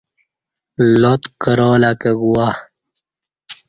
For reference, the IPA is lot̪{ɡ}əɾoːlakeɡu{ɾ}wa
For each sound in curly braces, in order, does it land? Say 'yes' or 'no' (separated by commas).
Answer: no, no